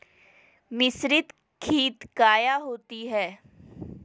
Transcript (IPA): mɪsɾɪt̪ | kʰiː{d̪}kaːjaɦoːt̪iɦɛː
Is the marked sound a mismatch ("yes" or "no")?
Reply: yes